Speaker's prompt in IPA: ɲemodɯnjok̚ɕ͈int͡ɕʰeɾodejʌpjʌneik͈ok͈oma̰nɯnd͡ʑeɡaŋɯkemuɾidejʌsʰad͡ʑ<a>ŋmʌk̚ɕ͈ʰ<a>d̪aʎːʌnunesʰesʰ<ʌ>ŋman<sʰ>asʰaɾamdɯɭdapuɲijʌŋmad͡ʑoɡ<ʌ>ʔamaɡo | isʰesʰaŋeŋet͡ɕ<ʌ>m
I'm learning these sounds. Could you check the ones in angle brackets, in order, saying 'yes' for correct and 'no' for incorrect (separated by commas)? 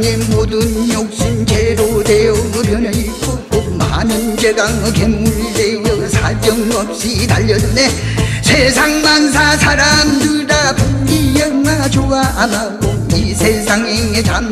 no, no, no, yes, no, no